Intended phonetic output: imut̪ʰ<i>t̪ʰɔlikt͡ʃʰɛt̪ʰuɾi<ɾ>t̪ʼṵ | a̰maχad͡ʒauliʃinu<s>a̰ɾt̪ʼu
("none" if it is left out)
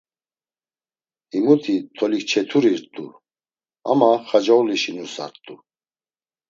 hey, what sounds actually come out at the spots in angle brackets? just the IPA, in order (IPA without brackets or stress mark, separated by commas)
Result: i, ɾ, s